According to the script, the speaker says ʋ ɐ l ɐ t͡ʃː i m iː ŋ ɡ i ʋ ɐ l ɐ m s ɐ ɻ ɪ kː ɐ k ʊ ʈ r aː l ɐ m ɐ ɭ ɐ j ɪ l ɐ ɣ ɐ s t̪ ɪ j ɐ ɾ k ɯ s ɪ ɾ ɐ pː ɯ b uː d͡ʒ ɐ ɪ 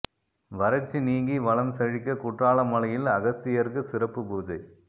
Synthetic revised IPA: ʋ ɐ ɾ ɐ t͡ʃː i n iː ŋ ɡ i ʋ ɐ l ɐ m s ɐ ɻ ɪ kː ɐ k ʊ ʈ r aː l ɐ m ɐ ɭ ɐ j ɪ l ɐ ɣ ɐ s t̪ ɪ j ɐ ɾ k ɯ s ɪ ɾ ɐ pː ɯ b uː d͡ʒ ɐ ɪ